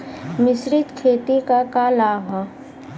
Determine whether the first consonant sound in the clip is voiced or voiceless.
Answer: voiced